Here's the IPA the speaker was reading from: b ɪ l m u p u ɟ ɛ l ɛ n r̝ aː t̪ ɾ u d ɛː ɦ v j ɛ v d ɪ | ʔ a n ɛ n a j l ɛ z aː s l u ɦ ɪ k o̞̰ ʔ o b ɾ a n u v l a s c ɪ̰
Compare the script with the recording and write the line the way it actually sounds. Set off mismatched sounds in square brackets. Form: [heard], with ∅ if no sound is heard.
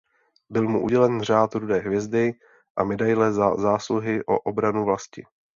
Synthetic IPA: b ɪ l m u [ʔ] u ɟ ɛ l ɛ n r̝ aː t̪ ɾ u d ɛː ɦ v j ɛ [z] d ɪ | ʔ a [m] ɛ [d] a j l ɛ z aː s l u ɦ ɪ [ʔ] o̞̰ ʔ o b ɾ a n u v l a s c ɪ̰